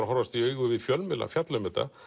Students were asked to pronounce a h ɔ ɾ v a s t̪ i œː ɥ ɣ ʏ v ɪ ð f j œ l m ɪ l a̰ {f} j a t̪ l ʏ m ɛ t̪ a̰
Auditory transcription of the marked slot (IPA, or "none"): f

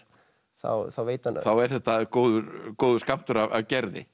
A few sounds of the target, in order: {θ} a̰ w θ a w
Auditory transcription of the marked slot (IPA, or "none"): θ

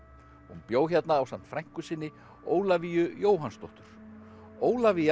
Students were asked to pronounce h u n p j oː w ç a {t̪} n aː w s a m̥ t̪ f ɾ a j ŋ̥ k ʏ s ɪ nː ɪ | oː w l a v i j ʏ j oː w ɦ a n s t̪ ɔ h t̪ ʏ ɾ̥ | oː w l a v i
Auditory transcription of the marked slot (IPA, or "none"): t̪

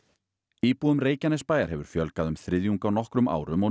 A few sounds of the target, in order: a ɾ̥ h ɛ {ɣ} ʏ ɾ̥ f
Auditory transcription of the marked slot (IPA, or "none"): v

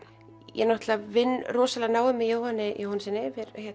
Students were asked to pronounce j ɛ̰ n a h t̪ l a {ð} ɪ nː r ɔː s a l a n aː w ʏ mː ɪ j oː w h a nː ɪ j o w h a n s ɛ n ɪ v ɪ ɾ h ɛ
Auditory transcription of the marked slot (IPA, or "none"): v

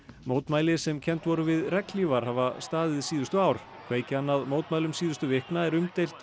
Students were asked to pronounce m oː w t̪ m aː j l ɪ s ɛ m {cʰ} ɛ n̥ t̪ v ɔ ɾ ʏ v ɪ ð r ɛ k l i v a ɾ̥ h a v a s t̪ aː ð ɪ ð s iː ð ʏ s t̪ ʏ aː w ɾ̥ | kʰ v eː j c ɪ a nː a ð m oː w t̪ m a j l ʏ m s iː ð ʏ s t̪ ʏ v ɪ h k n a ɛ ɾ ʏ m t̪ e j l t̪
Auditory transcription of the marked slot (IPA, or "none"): cʰ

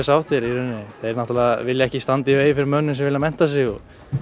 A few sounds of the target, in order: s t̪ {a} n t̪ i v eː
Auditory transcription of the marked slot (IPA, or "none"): a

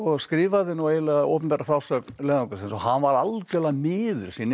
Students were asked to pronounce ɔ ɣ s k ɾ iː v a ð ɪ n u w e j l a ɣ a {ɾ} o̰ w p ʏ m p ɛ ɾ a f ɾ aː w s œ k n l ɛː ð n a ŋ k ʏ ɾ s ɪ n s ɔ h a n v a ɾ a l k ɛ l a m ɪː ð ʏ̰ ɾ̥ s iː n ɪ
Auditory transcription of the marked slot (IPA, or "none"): none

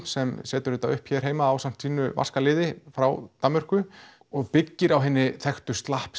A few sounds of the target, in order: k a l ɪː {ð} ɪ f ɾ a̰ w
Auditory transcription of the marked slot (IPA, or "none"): ð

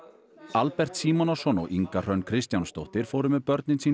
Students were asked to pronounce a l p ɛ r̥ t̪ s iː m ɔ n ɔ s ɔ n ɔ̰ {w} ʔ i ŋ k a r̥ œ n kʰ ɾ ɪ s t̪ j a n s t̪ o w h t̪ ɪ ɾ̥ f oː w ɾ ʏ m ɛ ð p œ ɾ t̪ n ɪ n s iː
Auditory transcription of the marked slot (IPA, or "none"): ɣ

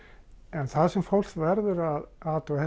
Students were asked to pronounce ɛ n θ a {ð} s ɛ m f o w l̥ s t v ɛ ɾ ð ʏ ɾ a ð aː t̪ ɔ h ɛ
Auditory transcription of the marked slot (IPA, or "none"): ð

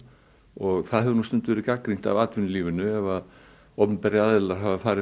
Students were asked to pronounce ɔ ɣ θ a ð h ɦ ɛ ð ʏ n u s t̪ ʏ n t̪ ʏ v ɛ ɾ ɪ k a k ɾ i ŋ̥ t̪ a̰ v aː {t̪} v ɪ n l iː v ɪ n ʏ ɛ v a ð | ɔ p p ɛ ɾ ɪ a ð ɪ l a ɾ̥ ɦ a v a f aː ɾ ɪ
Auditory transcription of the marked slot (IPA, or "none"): t̪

